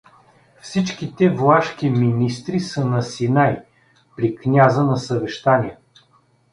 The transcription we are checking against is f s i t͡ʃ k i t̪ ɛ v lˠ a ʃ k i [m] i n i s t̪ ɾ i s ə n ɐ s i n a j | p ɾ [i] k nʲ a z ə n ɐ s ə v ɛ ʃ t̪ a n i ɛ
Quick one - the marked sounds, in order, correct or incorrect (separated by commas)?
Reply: correct, correct